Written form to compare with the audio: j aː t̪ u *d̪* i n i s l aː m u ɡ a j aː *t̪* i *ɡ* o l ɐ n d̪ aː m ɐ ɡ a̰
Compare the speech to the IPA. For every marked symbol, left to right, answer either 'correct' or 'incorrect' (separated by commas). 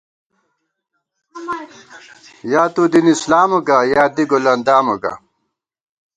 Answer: correct, incorrect, correct